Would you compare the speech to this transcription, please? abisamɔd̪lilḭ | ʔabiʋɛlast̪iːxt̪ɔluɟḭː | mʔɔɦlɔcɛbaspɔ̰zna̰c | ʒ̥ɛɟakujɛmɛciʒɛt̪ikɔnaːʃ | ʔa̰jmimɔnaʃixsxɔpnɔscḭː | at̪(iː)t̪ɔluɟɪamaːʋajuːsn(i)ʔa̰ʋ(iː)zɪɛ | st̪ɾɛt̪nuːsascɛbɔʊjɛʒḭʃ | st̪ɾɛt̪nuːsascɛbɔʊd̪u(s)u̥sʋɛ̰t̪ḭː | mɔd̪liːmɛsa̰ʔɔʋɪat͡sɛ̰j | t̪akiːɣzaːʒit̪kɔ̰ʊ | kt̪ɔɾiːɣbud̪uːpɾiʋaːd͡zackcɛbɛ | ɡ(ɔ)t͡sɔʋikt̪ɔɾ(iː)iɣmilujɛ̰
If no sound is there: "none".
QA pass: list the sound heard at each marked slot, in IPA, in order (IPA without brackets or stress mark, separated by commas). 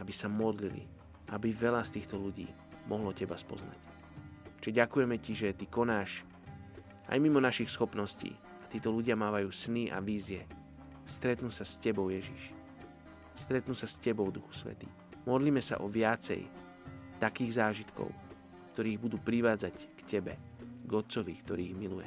iː, i, iː, x, ɔ, iː